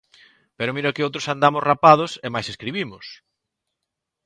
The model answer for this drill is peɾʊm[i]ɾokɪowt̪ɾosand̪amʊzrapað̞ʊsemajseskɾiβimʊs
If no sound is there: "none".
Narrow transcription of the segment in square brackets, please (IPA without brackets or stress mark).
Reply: i